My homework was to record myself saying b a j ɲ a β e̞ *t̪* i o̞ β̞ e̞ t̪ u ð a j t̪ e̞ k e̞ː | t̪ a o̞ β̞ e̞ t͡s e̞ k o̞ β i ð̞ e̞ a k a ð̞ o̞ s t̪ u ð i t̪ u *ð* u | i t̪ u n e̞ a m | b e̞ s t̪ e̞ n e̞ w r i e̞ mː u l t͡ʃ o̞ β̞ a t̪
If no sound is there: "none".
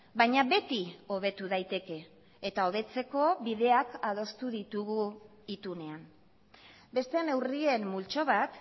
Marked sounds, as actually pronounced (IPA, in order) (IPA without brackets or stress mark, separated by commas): t̪, ɣ